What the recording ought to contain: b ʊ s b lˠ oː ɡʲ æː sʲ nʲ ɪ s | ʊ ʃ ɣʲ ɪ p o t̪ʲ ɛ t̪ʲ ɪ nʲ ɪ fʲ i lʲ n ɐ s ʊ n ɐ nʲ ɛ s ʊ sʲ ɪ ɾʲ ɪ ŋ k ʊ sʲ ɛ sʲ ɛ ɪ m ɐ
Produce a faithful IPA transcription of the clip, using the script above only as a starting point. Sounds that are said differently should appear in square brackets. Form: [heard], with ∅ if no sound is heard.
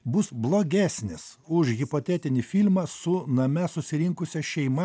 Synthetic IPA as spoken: b ʊ s b lˠ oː ɡʲ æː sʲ nʲ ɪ s | ʊ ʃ ɣʲ ɪ p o t̪ʲ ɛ t̪ʲ ɪ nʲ ɪ fʲ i lʲ [m] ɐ s ʊ n ɐ [mʲ] ɛ s ʊ sʲ ɪ ɾʲ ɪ ŋ k ʊ sʲ ɛ [ʃʲ] ɛ ɪ m ɐ